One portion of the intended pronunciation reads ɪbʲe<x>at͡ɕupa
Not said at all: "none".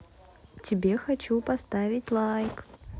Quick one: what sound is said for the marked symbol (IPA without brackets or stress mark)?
x